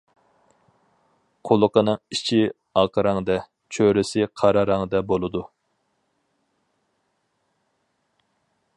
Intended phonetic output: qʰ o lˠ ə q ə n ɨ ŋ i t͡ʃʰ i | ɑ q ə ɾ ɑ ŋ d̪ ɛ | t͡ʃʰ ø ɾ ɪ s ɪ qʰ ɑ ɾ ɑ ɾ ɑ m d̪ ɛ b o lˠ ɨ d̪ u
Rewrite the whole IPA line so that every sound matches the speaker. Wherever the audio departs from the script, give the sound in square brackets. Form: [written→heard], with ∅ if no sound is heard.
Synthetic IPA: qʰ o lˠ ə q ə n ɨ ŋ i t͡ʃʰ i | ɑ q ə ɾ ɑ ŋ d̪ ɛ | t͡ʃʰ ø ɾ ɪ s ɪ qʰ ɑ ɾ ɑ ɾ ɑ [m→ŋ] d̪ ɛ b o lˠ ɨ d̪ u